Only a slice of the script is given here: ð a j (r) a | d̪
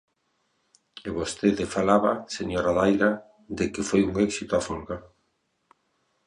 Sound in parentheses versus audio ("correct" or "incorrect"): incorrect